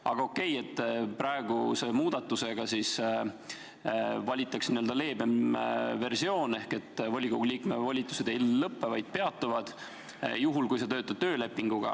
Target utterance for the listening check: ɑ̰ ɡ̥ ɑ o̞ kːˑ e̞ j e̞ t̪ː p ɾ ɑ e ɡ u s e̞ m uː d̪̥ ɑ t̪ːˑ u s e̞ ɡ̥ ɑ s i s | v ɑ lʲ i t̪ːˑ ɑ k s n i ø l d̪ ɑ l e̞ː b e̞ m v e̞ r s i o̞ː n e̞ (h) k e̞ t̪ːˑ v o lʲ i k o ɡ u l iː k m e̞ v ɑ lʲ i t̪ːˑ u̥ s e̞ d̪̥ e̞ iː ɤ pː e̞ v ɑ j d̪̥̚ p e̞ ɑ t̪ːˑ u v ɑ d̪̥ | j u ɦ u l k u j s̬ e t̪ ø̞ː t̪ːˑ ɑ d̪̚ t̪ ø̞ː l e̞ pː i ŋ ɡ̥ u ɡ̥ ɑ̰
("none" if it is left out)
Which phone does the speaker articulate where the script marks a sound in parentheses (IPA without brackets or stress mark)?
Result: h